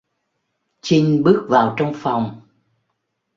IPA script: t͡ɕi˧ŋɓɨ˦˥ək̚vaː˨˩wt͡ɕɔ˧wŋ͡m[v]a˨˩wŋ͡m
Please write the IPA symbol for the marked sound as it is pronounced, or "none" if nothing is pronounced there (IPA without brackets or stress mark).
f